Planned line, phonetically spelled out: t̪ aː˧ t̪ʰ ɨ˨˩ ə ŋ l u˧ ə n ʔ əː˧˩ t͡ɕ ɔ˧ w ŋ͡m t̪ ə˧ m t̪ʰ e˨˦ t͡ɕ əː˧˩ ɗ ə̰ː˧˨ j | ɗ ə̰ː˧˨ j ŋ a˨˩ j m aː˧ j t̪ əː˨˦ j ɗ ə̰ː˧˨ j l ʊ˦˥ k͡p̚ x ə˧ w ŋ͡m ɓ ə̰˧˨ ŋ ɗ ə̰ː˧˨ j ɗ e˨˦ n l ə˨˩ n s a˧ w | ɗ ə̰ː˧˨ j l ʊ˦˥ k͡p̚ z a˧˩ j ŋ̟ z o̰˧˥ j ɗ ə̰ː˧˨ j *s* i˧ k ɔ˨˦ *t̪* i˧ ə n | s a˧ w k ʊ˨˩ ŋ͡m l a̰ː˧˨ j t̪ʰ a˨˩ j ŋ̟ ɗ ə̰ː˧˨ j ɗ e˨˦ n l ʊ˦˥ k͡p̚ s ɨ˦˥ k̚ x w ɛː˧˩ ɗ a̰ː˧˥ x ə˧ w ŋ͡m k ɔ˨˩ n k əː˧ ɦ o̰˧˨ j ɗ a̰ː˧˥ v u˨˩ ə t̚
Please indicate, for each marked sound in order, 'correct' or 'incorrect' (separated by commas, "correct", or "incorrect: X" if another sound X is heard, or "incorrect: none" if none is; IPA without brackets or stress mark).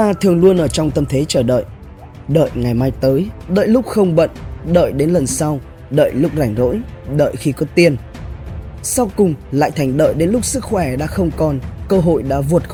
incorrect: x, correct